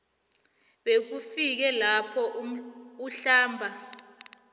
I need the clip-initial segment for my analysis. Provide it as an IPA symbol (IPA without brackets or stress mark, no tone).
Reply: ɓ